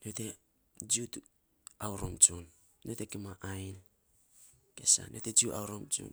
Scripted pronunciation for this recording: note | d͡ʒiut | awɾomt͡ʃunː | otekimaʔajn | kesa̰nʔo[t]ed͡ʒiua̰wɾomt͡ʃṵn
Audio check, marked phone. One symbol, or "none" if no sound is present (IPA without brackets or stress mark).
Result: t